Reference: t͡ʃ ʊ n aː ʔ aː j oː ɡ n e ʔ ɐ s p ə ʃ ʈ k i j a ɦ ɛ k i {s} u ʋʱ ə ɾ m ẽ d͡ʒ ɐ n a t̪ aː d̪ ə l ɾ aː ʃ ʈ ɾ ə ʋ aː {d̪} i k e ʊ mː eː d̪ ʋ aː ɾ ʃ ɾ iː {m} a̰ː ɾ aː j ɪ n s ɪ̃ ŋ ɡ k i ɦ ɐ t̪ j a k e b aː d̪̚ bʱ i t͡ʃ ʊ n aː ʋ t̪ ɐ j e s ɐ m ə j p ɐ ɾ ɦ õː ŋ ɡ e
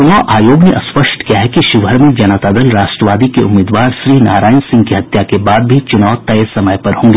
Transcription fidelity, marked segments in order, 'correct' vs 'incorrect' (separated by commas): incorrect, correct, incorrect